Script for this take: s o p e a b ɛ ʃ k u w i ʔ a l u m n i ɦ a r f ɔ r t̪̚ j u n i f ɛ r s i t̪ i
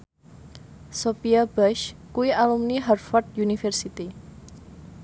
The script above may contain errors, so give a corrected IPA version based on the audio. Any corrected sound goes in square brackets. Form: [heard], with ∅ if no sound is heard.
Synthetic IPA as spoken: s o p [i] a b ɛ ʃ k u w i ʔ a l u m n i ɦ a r f ɔ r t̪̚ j u n i f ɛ r s i t̪ i